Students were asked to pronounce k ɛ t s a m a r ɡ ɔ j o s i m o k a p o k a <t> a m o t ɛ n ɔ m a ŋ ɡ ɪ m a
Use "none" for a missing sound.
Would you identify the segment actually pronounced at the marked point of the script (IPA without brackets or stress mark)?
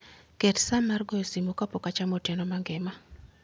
t͡ʃ